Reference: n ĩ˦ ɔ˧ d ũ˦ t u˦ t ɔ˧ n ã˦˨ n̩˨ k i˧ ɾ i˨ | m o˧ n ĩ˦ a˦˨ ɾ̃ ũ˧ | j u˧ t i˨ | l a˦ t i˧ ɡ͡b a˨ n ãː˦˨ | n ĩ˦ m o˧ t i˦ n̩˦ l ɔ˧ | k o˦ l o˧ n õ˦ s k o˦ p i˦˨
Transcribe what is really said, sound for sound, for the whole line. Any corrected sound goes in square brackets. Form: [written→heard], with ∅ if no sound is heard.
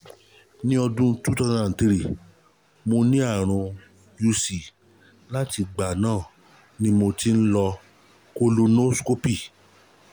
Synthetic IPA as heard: n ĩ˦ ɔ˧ d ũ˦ t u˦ t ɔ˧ n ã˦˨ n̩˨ [k→t] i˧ ɾ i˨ | m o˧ n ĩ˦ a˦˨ ɾ̃ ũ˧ | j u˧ [t→s] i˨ | l a˦ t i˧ ɡ͡b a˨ n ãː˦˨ | n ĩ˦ m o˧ t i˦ n̩˦ l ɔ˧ | k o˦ l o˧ n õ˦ s k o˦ p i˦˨